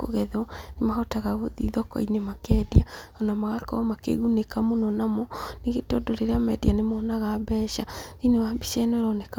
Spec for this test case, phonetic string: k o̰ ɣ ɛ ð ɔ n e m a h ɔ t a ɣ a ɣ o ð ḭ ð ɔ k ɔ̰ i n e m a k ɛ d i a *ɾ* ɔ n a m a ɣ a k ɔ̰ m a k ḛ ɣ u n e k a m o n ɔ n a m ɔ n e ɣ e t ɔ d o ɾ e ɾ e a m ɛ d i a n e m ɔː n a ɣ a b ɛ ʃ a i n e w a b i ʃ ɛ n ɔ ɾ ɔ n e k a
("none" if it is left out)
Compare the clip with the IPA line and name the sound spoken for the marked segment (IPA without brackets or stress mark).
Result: none